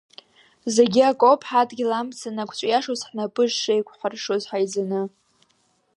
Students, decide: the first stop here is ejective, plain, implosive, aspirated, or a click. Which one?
plain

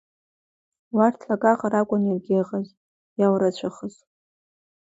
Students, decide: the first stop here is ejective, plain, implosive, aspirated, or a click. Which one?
aspirated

